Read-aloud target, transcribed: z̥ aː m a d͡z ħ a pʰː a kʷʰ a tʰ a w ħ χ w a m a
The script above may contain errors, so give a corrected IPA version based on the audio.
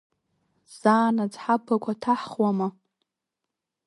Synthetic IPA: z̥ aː n a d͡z ħ a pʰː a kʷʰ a tʰ a ħ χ w a m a